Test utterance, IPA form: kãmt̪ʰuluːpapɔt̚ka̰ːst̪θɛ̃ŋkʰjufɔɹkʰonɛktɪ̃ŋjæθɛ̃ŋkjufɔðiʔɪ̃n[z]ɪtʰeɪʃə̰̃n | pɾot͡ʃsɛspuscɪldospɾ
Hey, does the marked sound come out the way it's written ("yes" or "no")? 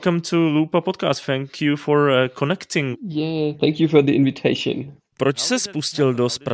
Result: no